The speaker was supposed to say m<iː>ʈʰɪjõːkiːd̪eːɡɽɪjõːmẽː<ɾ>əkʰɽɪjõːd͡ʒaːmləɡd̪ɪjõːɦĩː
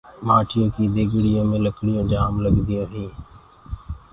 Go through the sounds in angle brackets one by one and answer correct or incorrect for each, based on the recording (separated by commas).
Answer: incorrect, incorrect